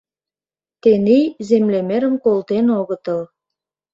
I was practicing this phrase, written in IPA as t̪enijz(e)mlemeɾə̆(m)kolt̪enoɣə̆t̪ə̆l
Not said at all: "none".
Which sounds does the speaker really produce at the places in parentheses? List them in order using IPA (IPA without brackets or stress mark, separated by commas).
e, m